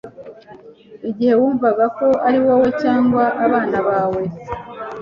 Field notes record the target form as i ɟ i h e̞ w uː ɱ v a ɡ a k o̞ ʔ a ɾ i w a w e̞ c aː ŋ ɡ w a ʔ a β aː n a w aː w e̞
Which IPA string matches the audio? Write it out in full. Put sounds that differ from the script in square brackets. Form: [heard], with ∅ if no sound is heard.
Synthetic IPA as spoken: i ɟ i h e̞ w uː ɱ v a ɡ a k o̞ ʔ a ɾ i w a w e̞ c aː ŋ ɡ w a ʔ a β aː n a [β] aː w e̞